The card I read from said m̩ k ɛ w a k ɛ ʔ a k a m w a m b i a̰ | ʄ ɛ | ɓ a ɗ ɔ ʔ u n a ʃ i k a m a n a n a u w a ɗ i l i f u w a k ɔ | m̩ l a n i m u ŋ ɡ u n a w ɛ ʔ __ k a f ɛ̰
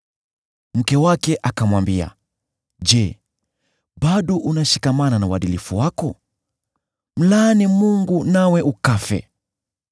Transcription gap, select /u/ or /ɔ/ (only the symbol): u